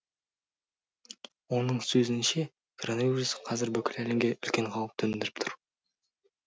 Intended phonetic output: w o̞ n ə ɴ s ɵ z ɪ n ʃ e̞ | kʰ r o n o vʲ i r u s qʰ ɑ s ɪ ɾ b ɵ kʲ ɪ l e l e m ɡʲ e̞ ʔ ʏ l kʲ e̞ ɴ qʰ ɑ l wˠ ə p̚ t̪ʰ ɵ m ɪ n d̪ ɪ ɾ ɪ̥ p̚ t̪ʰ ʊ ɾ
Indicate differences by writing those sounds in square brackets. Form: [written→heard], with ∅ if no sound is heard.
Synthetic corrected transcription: w o̞ n ə ɴ s ɵ z ɪ n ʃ e̞ | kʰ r o n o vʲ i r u s qʰ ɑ [s→z] ɪ ɾ b ɵ kʲ ɪ l [e→æ] l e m ɡʲ e̞ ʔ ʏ l kʲ e̞ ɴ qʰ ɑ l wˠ ə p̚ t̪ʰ ɵ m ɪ n d̪ ɪ ɾ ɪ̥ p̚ t̪ʰ ʊ ɾ